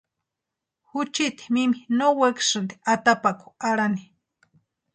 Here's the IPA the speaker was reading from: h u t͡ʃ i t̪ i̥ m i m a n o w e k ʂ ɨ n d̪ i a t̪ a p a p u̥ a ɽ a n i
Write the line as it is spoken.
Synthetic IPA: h u t͡ʃ i t̪ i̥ m i m i n o w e k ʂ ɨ n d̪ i a t̪ a p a k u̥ a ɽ a n i